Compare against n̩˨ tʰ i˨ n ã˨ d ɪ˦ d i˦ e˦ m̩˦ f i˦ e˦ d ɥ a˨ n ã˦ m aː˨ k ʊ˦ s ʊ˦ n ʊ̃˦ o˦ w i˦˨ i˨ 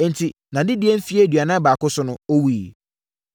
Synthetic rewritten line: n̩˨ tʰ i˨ n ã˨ d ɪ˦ d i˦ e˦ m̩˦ f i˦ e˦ d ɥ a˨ n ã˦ b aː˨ k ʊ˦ s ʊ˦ n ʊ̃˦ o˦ w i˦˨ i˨